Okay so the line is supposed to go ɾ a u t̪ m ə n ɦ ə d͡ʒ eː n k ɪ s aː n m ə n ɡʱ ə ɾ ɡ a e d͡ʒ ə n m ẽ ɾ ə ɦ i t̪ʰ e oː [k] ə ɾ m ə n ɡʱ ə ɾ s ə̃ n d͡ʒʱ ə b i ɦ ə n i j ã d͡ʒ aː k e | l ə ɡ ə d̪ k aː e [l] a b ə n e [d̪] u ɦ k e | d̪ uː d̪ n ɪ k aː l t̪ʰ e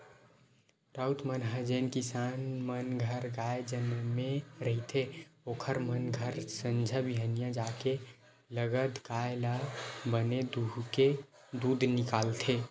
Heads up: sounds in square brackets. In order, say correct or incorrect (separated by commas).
incorrect, correct, correct